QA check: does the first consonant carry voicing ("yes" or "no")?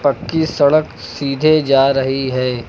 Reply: no